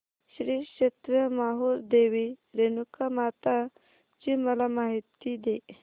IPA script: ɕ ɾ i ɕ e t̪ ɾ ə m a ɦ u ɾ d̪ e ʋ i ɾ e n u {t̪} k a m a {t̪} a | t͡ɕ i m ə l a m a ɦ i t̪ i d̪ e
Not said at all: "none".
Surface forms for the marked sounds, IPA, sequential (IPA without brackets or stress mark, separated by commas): none, t̪